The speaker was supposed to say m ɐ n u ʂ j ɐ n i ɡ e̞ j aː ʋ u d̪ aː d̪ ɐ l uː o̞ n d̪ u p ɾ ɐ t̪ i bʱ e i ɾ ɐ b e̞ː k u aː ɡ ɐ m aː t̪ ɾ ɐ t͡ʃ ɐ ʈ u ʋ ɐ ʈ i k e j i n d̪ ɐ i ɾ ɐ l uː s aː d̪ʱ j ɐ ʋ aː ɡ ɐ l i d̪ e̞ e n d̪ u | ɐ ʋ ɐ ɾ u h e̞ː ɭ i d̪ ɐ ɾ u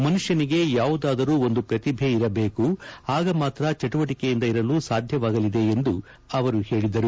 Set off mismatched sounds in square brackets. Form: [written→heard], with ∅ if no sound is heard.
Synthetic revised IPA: m ɐ n u ʂ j ɐ n i ɡ e̞ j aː ʋ u d̪ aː d̪ ɐ [l→ɾ] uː o̞ n d̪ u p ɾ ɐ t̪ i bʱ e i ɾ ɐ b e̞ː k u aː ɡ ɐ m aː t̪ ɾ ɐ t͡ʃ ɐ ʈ u ʋ ɐ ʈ i k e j i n d̪ ɐ i ɾ ɐ l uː s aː d̪ʱ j ɐ ʋ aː ɡ ɐ l i d̪ e̞ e n d̪ u | ɐ ʋ ɐ ɾ u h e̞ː ɭ i d̪ ɐ ɾ u